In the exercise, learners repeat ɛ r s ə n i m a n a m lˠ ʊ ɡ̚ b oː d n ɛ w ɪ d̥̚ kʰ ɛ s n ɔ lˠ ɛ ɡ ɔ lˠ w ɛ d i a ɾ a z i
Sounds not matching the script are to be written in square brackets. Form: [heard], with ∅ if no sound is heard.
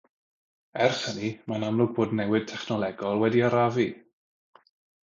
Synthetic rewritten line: ɛ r [χ] ə n i m a n a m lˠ ʊ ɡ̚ b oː d n ɛ w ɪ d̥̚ [tʰ] ɛ [χ] n ɔ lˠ ɛ ɡ ɔ lˠ w ɛ d i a ɾ a [v] i